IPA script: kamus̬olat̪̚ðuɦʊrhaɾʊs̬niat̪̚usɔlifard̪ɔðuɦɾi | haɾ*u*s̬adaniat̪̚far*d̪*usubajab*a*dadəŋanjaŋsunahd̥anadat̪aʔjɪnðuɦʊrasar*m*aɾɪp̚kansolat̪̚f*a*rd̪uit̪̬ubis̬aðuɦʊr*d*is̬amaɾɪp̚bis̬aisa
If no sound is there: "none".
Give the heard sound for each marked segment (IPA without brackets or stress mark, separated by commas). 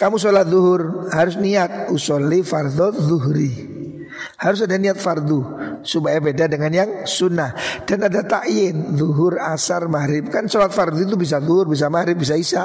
ʊ, d̪, e, m, a, b